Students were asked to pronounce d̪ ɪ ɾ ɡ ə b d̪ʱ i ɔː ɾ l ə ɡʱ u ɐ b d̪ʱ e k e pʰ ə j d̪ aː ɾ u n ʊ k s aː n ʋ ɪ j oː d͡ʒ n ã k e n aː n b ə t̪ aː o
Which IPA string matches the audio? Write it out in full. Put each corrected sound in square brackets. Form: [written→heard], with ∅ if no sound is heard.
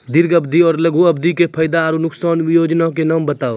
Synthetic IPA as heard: d̪ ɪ ɾ ɡ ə b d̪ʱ i ɔː ɾ l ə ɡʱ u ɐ b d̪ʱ [e→i] k e pʰ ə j d̪ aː ɾ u n ʊ k s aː n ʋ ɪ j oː d͡ʒ n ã k e n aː [n→m] b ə t̪ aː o